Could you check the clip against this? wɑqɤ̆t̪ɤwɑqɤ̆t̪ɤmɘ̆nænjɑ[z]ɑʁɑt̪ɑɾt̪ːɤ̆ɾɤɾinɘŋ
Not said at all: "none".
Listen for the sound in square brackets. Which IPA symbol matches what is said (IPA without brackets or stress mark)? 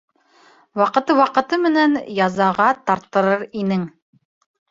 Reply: z